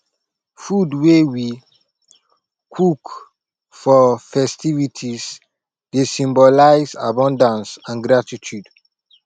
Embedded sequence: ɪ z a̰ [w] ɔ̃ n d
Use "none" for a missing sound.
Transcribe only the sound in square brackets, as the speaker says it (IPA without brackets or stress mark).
b